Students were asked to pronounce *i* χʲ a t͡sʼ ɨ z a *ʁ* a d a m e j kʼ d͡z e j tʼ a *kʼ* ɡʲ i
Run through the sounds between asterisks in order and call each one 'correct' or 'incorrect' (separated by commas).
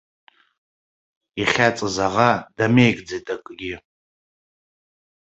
correct, correct, correct